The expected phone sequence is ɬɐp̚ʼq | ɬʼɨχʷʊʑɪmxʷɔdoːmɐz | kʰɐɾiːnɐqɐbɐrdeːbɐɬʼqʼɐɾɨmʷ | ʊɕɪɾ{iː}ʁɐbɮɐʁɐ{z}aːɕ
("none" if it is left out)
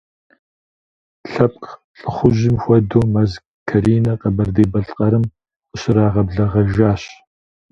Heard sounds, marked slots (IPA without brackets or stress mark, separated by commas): aː, ʒ